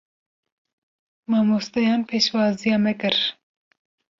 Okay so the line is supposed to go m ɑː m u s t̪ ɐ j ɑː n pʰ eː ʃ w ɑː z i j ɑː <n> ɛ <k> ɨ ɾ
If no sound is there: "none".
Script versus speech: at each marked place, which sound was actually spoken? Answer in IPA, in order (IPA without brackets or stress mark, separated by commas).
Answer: m, k